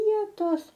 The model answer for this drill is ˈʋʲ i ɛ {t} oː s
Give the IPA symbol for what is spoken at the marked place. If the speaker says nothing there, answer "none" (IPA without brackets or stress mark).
t